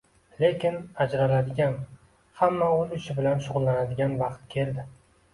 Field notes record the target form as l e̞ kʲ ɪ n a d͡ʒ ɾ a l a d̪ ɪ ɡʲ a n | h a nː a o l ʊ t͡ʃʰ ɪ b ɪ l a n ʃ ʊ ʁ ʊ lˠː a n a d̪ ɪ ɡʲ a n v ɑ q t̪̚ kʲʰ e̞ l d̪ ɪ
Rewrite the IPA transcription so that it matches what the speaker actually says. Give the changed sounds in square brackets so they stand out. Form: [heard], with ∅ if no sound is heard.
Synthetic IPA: l e̞ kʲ ɪ n a d͡ʒ ɾ a l a d̪ ɪ ɡʲ a n | h a [mː] a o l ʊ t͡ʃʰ ɪ b ɪ l a n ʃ ʊ ʁ ʊ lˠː a n a d̪ ɪ ɡʲ a n v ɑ q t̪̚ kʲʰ e̞ l d̪ ɪ

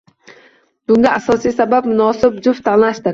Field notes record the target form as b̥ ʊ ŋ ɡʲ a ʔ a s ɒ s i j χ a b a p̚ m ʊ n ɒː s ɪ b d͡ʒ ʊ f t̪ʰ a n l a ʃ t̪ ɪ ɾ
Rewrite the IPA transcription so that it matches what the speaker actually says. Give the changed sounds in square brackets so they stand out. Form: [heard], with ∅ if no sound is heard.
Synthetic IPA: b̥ ʊ ŋ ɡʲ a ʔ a s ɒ s i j [s] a b a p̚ m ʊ n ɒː s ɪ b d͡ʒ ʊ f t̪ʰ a n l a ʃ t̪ ɪ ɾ

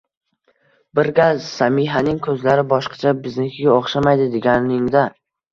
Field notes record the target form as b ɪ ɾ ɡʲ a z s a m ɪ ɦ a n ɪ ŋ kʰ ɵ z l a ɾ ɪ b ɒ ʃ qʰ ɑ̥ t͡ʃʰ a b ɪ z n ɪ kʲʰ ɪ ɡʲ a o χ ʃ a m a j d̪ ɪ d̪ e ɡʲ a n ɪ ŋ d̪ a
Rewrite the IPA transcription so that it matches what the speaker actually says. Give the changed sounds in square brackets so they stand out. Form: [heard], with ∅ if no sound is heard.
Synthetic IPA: b ɪ ɾ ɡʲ a z s a m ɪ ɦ a n ɪ ŋ kʰ ɵ z l a ɾ ɪ b ɒ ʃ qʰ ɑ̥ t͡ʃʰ a b ɪ z n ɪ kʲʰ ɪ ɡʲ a o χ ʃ a m a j d̪ ɪ d̪ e ɡʲ a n ɪ ŋ d̪ a

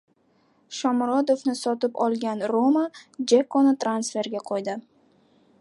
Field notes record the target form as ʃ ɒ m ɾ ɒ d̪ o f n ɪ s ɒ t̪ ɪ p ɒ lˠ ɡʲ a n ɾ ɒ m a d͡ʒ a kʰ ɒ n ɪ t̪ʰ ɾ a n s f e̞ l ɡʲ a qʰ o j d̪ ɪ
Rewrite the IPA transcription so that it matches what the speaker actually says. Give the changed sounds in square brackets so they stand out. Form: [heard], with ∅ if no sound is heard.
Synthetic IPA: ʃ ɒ m ɾ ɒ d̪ o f n ɪ s ɒ t̪ ɪ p ɒ lˠ ɡʲ a n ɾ [o] m a d͡ʒ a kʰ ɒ n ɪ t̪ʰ ɾ a n s f e̞ [ɾ] ɡʲ a qʰ o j d̪ ɪ

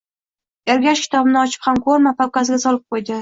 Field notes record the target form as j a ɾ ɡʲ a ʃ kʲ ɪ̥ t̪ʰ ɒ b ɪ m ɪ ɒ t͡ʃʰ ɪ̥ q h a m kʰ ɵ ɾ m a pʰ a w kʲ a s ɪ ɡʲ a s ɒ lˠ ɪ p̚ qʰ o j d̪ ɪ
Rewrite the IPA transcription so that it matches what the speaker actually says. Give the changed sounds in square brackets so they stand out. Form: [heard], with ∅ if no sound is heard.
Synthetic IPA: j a ɾ ɡʲ a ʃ kʲ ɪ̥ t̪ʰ ɒ b ɪ [n] ɪ ɒ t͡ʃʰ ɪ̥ [p] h a m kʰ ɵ ɾ m a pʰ a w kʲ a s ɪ ɡʲ a s ɒ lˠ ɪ p̚ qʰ o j d̪ ɪ

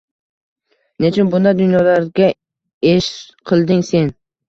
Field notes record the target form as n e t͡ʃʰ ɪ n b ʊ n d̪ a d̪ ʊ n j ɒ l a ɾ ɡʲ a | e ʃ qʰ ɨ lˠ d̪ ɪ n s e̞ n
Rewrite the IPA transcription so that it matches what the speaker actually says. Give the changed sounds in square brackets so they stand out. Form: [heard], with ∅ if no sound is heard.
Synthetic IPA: n e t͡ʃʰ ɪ n b ʊ n d̪ a d̪ ʊ n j ɒ l a ɾ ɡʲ a | e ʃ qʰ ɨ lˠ d̪ ɪ [ŋ] s e̞ n

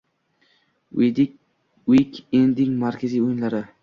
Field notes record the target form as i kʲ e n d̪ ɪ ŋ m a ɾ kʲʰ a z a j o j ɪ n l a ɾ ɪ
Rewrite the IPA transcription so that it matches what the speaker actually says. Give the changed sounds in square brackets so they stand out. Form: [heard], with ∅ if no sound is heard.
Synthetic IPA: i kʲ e n d̪ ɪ ŋ m a ɾ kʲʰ a z [i] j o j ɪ n l a ɾ ɪ

